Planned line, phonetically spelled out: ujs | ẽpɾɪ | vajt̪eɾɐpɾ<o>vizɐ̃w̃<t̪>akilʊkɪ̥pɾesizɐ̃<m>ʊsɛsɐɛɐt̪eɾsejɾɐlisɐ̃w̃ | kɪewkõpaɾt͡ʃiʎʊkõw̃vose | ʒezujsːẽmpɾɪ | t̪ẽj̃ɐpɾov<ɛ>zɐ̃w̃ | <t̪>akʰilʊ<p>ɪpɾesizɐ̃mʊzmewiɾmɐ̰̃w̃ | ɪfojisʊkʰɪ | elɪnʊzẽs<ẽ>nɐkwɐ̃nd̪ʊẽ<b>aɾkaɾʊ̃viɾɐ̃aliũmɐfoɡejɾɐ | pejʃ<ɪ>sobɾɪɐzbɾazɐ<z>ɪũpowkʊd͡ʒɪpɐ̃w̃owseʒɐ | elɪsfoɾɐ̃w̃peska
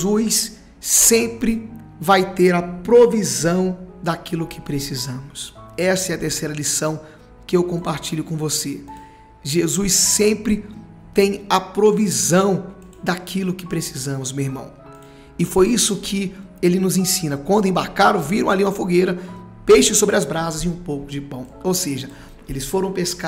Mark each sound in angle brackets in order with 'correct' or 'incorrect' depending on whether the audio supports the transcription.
correct, incorrect: d̪, correct, incorrect: i, incorrect: d̪, incorrect: k, incorrect: ĩ, correct, correct, correct

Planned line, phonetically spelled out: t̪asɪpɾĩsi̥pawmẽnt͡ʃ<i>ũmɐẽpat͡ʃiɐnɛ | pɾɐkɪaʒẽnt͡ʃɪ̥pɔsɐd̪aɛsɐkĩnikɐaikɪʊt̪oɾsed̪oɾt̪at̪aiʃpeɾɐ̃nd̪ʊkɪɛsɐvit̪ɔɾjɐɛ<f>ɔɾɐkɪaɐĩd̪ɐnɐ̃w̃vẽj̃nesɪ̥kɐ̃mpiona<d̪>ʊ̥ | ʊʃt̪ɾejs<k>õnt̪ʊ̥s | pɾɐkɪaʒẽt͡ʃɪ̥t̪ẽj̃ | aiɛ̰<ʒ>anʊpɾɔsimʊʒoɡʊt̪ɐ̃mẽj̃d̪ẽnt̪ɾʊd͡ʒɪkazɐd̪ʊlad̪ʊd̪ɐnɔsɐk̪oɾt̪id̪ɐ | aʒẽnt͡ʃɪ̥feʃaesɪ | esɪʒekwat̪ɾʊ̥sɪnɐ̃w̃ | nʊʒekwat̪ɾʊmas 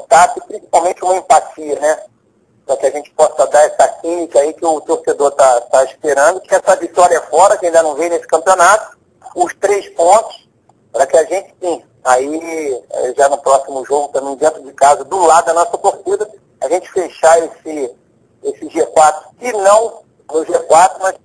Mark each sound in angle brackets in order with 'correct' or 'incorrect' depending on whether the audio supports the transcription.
incorrect: ɪ, correct, incorrect: t̪, incorrect: p, correct

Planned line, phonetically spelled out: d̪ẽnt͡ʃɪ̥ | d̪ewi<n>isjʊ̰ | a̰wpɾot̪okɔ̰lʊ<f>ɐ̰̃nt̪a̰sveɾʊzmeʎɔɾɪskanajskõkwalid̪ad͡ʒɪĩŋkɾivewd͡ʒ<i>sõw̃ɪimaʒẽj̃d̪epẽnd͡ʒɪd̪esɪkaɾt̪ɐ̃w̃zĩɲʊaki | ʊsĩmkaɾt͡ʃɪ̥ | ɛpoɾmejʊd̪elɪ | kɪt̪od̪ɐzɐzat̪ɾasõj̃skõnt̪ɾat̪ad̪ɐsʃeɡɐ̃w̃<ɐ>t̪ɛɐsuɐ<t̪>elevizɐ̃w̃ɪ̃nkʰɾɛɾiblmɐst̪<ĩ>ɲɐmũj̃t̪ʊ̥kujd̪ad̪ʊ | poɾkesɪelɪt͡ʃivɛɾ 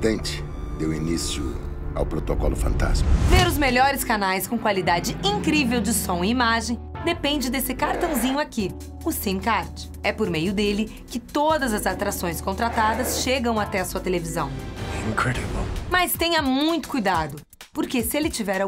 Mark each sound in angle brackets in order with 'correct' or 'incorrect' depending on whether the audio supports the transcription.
correct, correct, incorrect: ɪ, incorrect: a, correct, incorrect: ẽ

